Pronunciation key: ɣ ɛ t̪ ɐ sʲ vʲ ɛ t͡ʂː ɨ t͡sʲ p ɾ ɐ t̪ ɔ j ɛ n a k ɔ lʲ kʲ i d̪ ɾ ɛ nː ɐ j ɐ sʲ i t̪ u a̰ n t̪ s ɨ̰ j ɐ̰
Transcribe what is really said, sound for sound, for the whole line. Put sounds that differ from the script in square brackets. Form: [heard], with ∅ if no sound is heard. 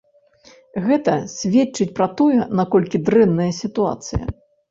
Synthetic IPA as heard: ɣ ɛ t̪ ɐ sʲ vʲ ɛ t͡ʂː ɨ t͡sʲ p ɾ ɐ t̪ ɔ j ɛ n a k ɔ lʲ kʲ i d̪ ɾ ɛ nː ɐ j ɐ sʲ i t̪ u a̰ [∅] t̪ s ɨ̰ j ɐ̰